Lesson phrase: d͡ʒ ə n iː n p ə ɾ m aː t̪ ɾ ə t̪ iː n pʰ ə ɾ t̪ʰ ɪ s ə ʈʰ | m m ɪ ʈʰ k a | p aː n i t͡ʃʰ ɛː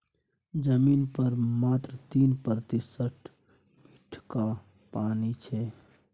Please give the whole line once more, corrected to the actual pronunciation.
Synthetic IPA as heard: d͡ʒ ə m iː n p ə ɾ m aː t̪ ɾ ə t̪ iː n p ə ɾ t̪ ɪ s ə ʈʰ | m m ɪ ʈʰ k a | p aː n i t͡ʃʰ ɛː

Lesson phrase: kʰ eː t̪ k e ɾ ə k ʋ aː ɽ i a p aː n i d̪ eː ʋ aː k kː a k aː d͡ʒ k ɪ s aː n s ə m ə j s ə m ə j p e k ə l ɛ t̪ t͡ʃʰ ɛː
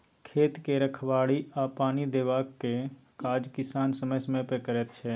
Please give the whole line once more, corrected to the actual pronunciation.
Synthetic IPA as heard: kʰ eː t̪ k e ɾ ə kʰ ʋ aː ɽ i a p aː n i d̪ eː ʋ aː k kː e k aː d͡ʒ k ɪ s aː n s ə m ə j s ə m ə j p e k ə ɾ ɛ t̪ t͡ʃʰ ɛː

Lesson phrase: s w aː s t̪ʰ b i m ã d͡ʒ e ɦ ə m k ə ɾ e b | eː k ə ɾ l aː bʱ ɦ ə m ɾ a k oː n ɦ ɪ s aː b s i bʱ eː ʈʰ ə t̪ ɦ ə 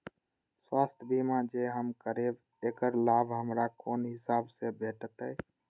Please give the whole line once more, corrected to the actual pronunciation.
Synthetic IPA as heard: s w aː s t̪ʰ b i m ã d͡ʒ e ɦ ə m k ə ɾ e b | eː k ə ɾ l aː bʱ ɦ ə m ɾ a k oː n ɦ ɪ s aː b s e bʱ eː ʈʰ ə t̪ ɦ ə

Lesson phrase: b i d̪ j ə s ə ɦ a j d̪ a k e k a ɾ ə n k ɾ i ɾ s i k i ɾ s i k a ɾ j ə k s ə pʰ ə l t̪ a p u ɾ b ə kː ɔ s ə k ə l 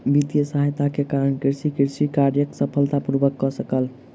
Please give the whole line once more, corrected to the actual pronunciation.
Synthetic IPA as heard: b i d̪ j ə s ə ɦ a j t̪ a k e k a ɾ ə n k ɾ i ɾ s i k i ɾ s i k a ɾ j ə k s ə pʰ ə l t̪ a p u ɾ b ə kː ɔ s ə k ə l

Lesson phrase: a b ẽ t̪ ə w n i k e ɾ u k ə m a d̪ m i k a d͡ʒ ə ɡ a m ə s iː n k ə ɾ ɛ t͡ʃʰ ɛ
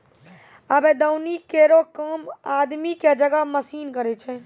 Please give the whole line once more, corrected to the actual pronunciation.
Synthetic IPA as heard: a b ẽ d̪ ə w n i k e ɾ o k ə m a d̪ m i k e d͡ʒ ə ɡ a m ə s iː n k ə ɾ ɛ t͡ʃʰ ɛ

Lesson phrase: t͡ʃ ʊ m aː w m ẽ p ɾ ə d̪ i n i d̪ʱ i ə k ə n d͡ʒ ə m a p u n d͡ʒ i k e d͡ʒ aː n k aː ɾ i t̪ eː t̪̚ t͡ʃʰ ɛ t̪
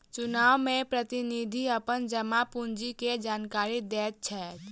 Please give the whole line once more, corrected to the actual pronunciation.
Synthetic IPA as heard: t͡ʃ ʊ n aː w m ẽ p ɾ ə t̪ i n i d̪ʱ i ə p ə n d͡ʒ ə m a p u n d͡ʒ i k e d͡ʒ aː n k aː ɾ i d̪ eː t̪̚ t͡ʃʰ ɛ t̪

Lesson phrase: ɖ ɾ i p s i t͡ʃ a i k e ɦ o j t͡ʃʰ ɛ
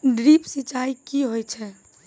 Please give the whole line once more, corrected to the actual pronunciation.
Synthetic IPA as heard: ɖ ɾ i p s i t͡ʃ a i k i ɦ o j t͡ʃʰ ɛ

